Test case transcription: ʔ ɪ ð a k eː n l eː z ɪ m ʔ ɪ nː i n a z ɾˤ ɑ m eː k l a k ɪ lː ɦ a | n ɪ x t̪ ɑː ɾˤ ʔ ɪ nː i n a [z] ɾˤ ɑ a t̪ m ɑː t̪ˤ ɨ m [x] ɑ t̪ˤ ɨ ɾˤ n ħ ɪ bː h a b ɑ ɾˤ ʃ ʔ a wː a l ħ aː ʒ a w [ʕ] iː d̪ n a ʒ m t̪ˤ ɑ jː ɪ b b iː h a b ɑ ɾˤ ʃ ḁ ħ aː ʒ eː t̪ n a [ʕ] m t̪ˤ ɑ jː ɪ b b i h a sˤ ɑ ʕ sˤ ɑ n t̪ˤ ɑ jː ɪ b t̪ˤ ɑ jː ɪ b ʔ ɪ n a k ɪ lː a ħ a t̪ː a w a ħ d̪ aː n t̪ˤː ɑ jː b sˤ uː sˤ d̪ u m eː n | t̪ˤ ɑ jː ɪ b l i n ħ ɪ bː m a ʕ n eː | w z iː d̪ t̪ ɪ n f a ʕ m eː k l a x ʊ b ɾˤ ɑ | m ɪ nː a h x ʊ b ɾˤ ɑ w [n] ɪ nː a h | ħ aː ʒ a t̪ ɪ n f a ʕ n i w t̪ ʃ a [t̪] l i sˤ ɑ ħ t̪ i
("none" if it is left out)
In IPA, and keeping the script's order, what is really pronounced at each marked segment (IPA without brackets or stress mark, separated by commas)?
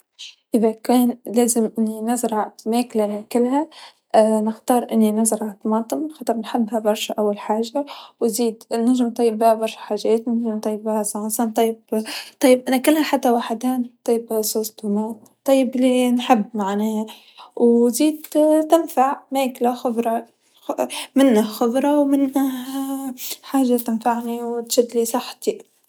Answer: z, x, z, ʒ, m, d̪